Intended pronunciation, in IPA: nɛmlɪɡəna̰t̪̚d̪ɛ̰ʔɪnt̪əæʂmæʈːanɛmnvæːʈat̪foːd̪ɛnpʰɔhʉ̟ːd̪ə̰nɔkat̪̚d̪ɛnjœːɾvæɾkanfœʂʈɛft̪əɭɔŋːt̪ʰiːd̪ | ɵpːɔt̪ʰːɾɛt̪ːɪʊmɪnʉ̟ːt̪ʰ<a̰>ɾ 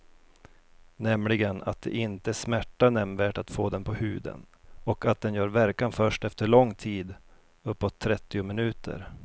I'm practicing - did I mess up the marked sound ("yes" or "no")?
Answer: yes